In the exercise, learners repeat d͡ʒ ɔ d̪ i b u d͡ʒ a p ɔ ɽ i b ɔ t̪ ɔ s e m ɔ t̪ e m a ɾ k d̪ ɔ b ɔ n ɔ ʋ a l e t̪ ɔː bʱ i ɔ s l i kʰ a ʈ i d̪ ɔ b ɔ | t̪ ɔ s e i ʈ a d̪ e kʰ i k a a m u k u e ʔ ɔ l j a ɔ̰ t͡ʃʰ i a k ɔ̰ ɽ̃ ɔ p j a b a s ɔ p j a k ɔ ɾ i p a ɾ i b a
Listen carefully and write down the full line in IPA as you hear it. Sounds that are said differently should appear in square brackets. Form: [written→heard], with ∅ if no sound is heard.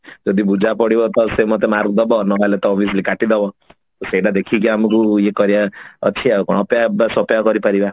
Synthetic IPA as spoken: d͡ʒ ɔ d̪ i b u d͡ʒ a p ɔ ɽ i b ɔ t̪ ɔ s e m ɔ t̪ e m a ɾ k d̪ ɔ b ɔ n ɔ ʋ a l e t̪ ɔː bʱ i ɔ s l i [kʰ→k] a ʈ i d̪ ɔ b ɔ | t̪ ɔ s e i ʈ a d̪ e kʰ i k [a→i] a m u k u e [ʔ→k] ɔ [l→ɾ] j a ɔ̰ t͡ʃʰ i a k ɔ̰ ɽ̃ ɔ p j a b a s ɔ p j a k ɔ ɾ i p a ɾ i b a

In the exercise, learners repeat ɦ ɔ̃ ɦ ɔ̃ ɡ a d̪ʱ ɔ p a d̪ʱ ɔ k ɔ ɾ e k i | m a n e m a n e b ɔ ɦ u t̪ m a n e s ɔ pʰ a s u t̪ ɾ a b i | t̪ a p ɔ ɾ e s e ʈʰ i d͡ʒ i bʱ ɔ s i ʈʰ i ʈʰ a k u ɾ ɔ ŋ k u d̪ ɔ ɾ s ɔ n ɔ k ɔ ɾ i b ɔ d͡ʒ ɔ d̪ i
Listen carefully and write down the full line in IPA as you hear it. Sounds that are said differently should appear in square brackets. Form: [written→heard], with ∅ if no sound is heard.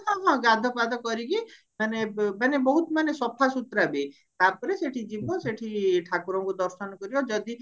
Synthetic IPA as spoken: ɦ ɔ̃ ɦ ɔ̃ ɡ a d̪ʱ ɔ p a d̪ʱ ɔ k ɔ ɾ [e→i] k i | m a n e m a n e b ɔ ɦ u t̪ m a n e s ɔ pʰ a s u t̪ ɾ a b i | t̪ a p ɔ ɾ e s e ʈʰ i d͡ʒ i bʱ ɔ s [i→e] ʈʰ i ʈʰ a k u ɾ ɔ ŋ k u d̪ ɔ ɾ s ɔ n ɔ k ɔ ɾ i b ɔ d͡ʒ ɔ d̪ i

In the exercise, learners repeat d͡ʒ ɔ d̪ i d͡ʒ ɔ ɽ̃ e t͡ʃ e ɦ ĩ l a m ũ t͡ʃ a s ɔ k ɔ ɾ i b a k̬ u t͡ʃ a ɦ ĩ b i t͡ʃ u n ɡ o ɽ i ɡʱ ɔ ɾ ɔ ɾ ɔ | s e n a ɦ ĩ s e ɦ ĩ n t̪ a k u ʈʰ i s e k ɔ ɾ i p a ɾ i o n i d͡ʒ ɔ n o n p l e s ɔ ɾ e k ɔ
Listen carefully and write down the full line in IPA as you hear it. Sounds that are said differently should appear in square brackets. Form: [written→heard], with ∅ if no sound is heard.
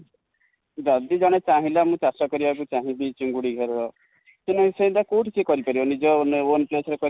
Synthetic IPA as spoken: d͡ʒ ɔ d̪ i d͡ʒ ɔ ɽ̃ e t͡ʃ [e→a] ɦ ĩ l a m ũ t͡ʃ a s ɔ k ɔ ɾ i b a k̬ u t͡ʃ a ɦ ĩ b i t͡ʃ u [n→ŋ] ɡ [o→u] ɽ i ɡʱ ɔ ɾ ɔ ɾ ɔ | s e n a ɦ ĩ s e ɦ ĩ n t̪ a k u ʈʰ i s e k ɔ ɾ i p a ɾ i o n i d͡ʒ ɔ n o n p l e s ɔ ɾ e k ɔ

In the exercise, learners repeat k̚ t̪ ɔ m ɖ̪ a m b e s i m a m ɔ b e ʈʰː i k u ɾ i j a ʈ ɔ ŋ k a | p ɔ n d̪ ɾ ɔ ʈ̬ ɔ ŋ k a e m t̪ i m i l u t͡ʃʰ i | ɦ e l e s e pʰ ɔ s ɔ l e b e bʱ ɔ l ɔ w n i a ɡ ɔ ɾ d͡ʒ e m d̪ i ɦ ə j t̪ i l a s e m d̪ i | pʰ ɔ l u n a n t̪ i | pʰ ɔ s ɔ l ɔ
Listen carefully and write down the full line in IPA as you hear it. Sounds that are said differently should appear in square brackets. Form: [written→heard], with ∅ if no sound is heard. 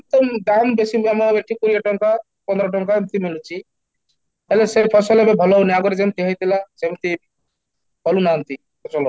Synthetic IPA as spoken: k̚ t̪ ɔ m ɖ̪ a m b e s i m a m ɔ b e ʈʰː i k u ɾ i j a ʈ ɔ ŋ k a | p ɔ n d̪ ɾ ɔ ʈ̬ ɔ ŋ k a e m t̪ i m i l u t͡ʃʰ i | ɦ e l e s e pʰ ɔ s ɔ l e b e bʱ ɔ l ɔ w n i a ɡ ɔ ɾ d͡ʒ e m [d̪→t̪] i ɦ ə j t̪ i l a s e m [d̪→t̪] i | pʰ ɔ l u n a n t̪ i | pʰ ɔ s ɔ l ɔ

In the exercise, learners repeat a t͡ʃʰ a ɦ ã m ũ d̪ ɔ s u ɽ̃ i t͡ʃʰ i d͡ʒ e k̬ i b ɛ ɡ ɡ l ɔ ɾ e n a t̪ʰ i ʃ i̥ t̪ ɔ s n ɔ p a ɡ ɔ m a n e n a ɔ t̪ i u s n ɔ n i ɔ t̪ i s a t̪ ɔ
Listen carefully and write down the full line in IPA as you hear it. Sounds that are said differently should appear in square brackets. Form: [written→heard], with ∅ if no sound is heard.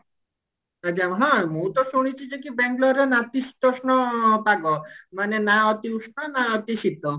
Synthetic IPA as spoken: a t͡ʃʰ a ɦ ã m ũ [d̪→t̪] ɔ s u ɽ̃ i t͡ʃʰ i d͡ʒ e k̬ i b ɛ [ɡ→ŋ] ɡ l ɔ ɾ e n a [t̪ʰ→t̪] i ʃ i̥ t̪ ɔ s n ɔ p a ɡ ɔ m a n e n a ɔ t̪ i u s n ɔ n [i→a] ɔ t̪ i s [a→i] t̪ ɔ

